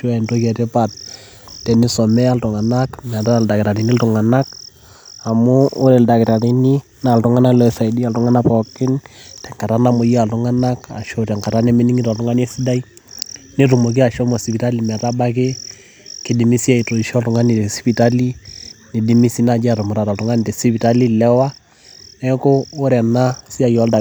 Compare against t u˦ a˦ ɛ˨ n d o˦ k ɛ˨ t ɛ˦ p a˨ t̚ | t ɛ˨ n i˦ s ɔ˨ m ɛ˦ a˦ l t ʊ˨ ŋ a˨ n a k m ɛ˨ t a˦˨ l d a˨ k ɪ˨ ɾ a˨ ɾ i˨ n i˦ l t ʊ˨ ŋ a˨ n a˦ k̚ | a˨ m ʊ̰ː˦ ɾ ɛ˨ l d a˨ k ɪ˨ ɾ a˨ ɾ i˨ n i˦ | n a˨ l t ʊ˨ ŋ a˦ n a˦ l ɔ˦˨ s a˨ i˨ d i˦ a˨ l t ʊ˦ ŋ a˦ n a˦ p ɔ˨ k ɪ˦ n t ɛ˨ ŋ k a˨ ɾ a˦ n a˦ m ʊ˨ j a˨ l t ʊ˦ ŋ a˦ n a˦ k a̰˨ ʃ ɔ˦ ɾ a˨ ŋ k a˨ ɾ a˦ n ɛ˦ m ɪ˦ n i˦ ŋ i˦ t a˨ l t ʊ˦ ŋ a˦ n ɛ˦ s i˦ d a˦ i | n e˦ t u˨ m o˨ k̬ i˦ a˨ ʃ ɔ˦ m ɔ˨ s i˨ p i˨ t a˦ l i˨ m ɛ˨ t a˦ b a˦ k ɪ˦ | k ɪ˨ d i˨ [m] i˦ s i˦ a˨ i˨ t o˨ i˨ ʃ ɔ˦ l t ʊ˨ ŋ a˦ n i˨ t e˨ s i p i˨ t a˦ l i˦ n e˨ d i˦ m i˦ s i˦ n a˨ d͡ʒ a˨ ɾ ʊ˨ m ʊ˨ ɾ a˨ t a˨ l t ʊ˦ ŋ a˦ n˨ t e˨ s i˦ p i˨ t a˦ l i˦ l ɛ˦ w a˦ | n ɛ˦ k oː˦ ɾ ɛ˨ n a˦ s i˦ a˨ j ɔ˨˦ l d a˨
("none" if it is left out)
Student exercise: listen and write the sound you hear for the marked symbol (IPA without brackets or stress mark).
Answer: m